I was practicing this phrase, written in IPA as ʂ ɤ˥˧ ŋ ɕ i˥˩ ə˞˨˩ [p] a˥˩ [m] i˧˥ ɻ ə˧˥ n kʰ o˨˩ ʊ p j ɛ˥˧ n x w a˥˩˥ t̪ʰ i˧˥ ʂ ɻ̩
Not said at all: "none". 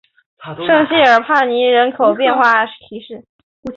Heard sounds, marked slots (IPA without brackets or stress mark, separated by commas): pʰ, n